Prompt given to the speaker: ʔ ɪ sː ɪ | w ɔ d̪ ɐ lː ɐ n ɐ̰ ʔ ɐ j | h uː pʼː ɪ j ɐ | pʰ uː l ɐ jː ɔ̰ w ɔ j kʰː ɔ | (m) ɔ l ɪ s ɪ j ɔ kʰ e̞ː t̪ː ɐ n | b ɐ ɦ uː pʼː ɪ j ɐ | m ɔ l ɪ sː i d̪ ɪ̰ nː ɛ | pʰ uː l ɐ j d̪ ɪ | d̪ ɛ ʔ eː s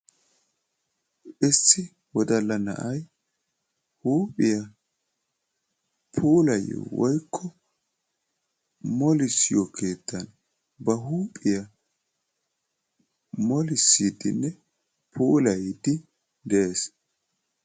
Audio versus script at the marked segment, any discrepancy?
no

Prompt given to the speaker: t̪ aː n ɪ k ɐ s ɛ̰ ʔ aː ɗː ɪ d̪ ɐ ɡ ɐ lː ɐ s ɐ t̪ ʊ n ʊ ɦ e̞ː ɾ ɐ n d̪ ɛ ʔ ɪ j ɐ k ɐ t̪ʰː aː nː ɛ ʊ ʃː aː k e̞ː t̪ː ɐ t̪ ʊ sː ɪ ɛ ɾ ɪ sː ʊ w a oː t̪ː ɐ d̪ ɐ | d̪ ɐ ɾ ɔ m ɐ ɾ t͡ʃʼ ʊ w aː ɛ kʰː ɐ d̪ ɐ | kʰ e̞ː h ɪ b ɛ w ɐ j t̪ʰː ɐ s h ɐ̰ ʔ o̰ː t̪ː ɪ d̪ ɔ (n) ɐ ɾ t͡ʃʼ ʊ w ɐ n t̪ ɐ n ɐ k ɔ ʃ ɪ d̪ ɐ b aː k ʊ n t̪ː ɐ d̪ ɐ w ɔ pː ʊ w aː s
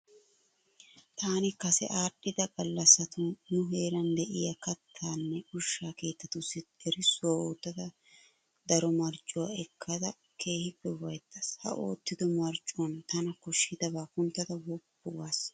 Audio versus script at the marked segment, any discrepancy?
yes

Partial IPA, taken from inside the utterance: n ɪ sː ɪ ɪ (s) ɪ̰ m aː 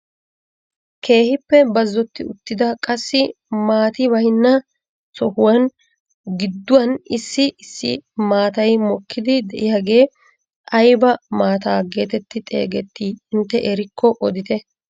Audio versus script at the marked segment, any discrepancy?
yes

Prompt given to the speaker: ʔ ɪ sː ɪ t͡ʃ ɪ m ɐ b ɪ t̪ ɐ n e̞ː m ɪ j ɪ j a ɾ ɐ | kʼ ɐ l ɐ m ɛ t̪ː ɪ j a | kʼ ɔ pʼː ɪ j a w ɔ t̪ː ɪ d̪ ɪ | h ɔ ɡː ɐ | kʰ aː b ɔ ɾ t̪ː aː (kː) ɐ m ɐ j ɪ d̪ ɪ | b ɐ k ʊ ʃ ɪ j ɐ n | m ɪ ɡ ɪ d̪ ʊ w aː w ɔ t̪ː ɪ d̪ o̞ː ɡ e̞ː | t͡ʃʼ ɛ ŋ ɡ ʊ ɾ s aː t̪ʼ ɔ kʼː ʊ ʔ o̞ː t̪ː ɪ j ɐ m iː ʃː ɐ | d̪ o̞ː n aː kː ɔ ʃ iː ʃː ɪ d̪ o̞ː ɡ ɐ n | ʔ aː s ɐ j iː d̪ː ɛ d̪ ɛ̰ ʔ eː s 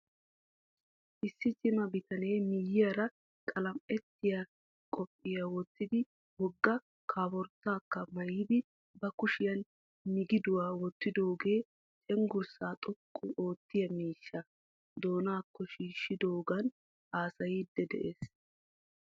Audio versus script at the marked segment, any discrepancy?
no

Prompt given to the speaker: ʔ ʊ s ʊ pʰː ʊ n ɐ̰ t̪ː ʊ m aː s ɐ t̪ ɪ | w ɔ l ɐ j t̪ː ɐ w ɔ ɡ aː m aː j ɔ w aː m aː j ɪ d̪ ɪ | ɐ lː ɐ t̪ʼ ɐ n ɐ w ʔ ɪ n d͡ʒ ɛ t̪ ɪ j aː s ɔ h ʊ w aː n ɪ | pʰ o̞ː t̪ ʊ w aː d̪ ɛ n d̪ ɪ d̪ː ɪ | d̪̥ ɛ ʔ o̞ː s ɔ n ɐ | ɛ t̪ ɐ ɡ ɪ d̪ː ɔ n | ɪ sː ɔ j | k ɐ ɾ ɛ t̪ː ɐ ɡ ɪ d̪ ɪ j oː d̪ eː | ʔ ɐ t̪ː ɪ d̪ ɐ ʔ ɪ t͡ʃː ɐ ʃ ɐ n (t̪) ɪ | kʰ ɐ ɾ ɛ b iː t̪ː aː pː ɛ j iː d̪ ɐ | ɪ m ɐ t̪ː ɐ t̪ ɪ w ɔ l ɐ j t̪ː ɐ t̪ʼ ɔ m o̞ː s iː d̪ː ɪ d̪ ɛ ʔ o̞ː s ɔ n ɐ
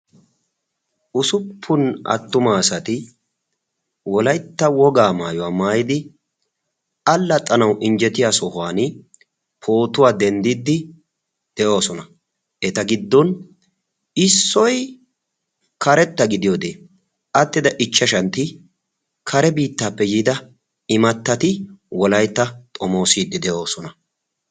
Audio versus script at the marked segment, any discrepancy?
no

